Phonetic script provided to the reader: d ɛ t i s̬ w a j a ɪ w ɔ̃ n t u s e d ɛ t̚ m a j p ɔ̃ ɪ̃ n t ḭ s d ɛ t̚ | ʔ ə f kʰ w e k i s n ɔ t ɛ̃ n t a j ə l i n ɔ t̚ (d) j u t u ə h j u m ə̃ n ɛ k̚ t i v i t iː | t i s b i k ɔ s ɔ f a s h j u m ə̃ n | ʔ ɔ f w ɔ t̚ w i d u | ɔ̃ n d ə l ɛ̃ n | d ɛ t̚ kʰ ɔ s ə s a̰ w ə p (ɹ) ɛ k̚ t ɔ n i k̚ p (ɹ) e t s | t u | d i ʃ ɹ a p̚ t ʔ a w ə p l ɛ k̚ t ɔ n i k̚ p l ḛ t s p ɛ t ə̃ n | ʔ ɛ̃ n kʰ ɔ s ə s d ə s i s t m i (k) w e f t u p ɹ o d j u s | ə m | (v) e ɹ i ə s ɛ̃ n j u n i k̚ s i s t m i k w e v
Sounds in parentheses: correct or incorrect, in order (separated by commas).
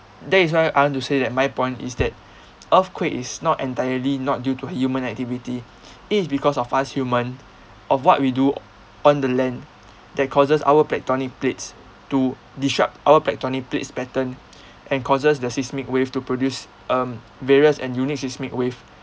correct, incorrect, incorrect, correct, correct